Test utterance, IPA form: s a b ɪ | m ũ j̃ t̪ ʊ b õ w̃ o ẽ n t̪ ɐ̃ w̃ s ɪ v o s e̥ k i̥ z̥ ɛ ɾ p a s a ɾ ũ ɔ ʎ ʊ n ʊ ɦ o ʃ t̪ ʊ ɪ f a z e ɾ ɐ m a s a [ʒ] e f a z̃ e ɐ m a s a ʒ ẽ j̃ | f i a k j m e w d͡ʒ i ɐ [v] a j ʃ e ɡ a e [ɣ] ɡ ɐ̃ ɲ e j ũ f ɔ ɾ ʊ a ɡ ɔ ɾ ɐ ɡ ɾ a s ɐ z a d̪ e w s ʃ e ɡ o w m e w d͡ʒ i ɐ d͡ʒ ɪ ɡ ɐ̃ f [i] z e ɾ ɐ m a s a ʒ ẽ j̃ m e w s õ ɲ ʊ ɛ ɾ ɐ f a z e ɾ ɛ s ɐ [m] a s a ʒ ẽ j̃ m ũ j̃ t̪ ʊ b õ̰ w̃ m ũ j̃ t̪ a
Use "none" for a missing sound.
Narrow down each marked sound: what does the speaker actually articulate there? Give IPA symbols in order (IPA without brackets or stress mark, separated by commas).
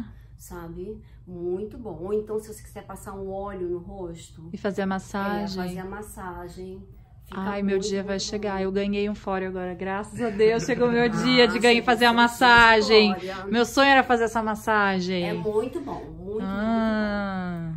ʒ, v, w, a, m